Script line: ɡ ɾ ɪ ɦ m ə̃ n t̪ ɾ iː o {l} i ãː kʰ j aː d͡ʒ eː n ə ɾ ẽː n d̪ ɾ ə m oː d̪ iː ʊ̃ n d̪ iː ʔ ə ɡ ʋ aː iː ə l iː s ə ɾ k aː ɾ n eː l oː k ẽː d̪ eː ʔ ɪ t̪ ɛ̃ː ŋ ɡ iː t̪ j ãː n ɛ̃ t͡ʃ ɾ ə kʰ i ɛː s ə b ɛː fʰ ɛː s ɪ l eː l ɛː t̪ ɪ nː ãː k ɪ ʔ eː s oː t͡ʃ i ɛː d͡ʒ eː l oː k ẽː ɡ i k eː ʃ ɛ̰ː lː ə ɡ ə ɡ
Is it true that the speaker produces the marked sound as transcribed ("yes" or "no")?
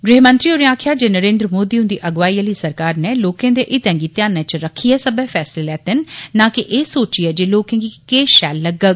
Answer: no